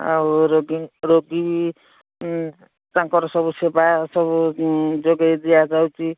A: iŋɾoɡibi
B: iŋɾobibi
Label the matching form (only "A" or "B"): A